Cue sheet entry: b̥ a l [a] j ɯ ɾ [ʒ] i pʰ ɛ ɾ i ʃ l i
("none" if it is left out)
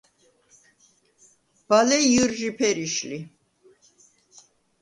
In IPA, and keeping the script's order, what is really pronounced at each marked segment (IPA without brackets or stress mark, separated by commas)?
ɛ, ʒ